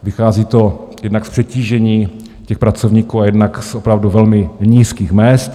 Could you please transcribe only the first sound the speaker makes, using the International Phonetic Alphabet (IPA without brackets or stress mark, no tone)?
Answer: v